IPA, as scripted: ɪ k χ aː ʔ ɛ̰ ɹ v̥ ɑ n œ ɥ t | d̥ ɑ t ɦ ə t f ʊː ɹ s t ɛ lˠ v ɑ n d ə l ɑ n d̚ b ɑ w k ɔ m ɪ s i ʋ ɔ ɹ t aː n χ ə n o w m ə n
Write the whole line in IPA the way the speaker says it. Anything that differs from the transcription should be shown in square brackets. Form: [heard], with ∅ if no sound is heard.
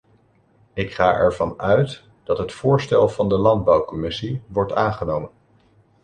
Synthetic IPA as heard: ɪ k χ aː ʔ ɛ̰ ɹ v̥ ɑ n œ ɥ t | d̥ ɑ t ɦ ə t f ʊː ɹ s t ɛ lˠ v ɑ n d ə l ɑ n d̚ b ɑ w k ɔ m ɪ s i ʋ ɔ ɹ t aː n χ ə n o w m ə n

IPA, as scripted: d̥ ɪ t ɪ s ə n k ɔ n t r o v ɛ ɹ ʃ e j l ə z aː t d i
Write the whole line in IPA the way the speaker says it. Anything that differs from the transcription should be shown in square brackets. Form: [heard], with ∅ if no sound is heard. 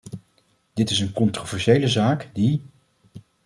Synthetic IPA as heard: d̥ ɪ t ɪ s ə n k ɔ n t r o v ɛ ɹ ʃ e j l ə z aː [k] d i

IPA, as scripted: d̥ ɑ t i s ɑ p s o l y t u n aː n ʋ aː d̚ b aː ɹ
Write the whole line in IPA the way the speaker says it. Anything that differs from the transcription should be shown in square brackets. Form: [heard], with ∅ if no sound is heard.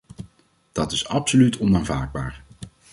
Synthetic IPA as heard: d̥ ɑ t [ɪ] s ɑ p s o l y t [ɔ] n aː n [v] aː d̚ b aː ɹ

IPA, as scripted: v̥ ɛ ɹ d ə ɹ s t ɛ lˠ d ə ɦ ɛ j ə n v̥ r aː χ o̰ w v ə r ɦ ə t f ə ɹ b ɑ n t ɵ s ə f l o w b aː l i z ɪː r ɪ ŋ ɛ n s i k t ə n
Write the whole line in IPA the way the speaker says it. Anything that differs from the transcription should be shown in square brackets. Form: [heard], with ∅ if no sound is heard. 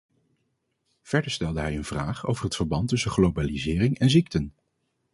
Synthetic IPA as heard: v̥ ɛ ɹ d ə ɹ s t ɛ lˠ d ə ɦ ɛ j ə n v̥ r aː χ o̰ w v ə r ɦ ə t f ə ɹ b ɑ n t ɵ s ə [χ] l o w b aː l i z ɪː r ɪ ŋ ɛ n [z] i k t ə n

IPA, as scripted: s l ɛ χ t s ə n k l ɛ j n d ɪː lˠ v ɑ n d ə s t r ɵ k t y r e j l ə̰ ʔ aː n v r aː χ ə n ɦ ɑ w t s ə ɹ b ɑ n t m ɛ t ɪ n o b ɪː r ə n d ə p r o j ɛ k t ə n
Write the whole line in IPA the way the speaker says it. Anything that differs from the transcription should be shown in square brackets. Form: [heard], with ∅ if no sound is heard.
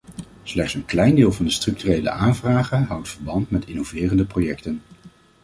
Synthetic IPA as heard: s l ɛ χ t s ə n k l ɛ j n d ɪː lˠ v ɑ n d ə s t r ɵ k t y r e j l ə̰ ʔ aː n v r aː χ ə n ɦ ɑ w t [f] ə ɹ b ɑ n t m ɛ t ɪ n o [v] ɪː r ə n d ə p r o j ɛ k t ə n

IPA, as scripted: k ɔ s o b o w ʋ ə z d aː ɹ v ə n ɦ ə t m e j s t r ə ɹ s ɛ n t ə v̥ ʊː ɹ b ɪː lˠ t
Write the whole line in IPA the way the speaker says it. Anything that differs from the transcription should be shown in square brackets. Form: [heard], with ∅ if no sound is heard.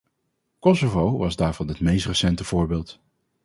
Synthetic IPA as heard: k ɔ s o [v] o w ʋ [ɑ] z d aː ɹ v [ɑ] n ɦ ə t m e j s t r ə [∅] s ɛ n t ə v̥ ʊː ɹ b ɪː lˠ t

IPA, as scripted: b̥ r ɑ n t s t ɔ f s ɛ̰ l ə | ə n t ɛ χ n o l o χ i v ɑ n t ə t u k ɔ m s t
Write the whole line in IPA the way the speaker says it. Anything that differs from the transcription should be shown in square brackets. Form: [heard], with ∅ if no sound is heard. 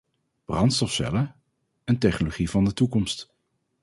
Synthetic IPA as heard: b̥ r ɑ n t s t ɔ f s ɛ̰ l ə | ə n t ɛ χ n o l o χ i v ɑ n [d] ə t u k ɔ m s t

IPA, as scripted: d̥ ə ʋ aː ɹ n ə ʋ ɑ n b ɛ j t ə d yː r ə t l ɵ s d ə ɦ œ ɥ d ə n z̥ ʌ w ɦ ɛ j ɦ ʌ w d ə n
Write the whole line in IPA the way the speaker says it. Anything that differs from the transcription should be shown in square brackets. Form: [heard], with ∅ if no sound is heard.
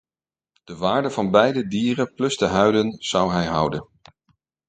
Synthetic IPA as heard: d̥ ə ʋ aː ɹ [d] ə [v] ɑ n b ɛ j [d] ə d [iː] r ə [p] l ɵ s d ə ɦ œ ɥ d ə n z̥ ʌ w ɦ ɛ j ɦ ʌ w d ə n

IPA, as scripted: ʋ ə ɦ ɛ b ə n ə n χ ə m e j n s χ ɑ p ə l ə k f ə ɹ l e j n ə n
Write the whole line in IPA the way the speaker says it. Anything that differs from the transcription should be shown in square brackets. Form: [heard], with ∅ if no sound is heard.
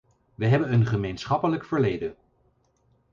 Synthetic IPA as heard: ʋ ə ɦ ɛ b ə n ə n χ ə m e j n s χ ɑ p ə l ə k f ə ɹ l e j [d] ə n

